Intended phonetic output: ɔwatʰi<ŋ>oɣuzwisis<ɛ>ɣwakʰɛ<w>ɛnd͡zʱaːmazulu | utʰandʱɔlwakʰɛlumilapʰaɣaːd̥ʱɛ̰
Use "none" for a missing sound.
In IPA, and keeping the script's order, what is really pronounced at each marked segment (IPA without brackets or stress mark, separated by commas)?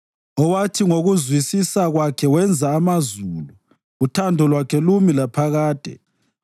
ŋ, a, w